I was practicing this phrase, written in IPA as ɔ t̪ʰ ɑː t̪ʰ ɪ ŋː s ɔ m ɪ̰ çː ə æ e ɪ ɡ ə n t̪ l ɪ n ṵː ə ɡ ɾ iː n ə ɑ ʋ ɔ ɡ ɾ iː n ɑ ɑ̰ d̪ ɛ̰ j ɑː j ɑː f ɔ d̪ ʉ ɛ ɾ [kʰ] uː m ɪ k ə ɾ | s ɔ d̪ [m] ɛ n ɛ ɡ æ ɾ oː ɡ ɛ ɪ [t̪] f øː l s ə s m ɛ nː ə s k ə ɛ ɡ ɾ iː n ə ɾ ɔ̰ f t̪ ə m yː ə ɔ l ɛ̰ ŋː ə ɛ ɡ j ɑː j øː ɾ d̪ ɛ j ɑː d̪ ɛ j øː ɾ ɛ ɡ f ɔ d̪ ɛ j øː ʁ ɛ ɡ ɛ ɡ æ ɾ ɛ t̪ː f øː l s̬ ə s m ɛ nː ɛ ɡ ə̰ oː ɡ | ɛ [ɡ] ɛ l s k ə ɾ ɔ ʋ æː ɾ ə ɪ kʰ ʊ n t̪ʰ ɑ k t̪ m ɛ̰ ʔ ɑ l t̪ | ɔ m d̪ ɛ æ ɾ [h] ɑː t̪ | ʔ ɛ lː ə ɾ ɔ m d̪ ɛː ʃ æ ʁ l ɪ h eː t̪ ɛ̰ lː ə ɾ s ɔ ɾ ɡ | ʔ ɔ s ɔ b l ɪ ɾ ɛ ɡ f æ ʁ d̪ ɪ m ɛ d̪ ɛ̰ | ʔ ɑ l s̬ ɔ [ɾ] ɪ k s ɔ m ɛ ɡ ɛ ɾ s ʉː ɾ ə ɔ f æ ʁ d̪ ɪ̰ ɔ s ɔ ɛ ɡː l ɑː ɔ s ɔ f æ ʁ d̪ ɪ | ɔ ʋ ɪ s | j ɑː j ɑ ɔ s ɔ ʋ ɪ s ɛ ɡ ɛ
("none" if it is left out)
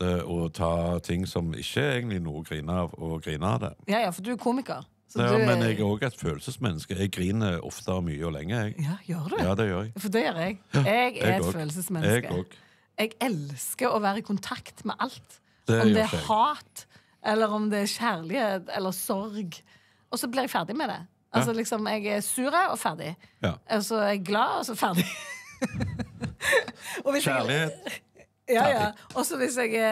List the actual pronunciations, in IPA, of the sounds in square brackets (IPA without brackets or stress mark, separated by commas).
kʰ, m, t̪, ɡ, h, l